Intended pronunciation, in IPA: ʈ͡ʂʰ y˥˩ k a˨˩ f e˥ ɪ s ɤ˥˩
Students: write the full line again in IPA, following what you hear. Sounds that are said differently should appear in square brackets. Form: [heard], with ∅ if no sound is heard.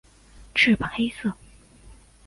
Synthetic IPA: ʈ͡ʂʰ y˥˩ [p] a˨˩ [x] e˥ ɪ s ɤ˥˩